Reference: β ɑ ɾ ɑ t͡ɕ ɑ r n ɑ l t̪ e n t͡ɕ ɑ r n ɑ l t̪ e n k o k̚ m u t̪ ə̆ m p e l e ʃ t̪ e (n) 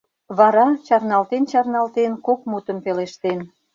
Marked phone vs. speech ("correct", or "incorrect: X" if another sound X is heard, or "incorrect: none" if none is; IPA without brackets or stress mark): correct